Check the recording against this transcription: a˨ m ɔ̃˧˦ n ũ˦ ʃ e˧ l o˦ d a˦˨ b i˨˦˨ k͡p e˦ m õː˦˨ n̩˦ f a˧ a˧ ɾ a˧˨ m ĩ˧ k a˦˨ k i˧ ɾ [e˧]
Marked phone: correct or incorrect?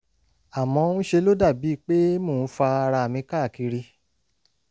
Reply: incorrect